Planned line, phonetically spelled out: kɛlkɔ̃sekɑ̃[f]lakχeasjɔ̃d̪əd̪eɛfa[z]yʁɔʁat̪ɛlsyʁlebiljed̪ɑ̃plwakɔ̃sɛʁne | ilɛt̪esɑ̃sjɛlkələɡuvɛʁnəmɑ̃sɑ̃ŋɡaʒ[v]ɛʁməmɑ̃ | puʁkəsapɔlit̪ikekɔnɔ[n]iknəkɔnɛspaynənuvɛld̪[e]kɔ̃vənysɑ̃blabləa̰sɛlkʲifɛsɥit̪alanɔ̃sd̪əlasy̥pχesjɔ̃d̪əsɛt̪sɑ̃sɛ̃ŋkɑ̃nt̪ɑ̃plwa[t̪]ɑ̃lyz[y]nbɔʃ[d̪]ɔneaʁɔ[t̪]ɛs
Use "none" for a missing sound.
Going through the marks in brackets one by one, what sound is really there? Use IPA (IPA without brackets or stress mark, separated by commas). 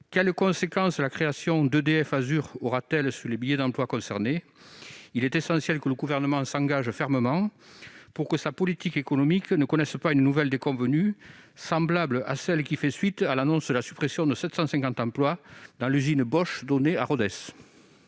s, z, f, m, e, d̪, i, d̪, d̪